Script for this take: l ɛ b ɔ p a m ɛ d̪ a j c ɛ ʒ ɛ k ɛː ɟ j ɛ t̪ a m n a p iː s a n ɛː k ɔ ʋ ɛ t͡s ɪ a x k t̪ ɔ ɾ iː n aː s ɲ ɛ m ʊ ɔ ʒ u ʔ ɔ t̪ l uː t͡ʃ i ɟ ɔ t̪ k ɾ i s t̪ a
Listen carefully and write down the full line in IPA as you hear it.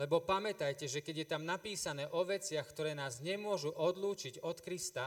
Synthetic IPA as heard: l ɛ b ɔ p a m ɛ t̪ a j c ɛ ʒ ɛ k ɛ ɟ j ɛ t̪ a m n a p iː s a n ɛː ʔ ɔ ʋ ɛ t͡s ɪ a x k t̪ ɔ ɾ ɛː n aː z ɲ ɛ m ʊ ɔ ʒ u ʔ ɔ d̪ l uː t͡ʃ i ɟ ɔ t̪ k ɾ i s t̪ a